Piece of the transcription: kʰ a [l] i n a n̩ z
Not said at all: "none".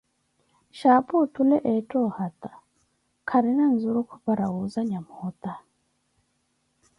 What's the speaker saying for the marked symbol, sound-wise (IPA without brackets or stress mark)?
ɾ